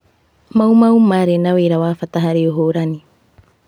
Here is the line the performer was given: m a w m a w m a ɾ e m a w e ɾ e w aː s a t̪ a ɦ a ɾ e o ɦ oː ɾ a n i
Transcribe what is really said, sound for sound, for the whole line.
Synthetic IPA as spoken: m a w m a w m a ɾ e n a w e ɾ a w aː f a t̪ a ɦ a ɾ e o ɦ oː ɾ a n i